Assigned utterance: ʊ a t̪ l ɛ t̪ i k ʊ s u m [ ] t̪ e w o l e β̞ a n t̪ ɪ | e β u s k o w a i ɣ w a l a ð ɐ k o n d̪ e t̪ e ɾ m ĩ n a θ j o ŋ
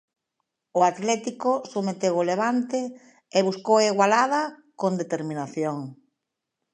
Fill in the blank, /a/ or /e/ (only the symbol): e